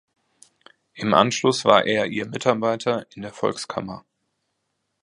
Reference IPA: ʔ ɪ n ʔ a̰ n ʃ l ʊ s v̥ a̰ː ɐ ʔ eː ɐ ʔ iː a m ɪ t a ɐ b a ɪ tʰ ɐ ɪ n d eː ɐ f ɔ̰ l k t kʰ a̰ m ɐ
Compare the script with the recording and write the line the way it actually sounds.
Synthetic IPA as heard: ʔ ɪ m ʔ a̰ n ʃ l ʊ s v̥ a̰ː ɐ ʔ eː ɐ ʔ iː ɐ m ɪ t a ɐ b a ɪ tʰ ɐ ɪ n d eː ɐ f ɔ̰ l k s kʰ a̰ m ɐ